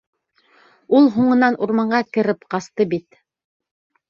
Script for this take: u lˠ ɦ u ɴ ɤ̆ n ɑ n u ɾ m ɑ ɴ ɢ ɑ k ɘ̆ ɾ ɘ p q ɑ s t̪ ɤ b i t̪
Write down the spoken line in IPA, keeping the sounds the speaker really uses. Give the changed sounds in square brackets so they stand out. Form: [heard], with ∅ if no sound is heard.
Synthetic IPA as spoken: u lˠ ɦ u ɴ ɤ̆ n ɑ n u ɾ m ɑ ɴ ɢ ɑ k ɘ̆ ɾ ɘ p q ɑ s t̪ ɤ b i t̪